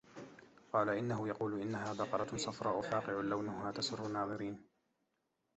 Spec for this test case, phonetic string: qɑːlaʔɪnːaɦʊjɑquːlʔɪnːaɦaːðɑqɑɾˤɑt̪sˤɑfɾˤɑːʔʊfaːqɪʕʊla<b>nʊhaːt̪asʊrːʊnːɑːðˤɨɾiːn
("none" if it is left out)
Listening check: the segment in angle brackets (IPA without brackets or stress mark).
w